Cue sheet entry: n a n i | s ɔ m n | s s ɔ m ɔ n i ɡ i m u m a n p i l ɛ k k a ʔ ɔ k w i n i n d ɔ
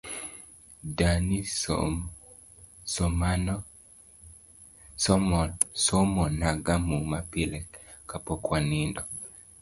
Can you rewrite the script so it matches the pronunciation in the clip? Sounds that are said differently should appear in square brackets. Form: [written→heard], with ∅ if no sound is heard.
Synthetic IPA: [n→d] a n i | s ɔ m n | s s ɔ m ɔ n [i→a] ɡ [i→a] m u m a [n→∅] p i l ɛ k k a [ʔ→p] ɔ k w [i→a] n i n d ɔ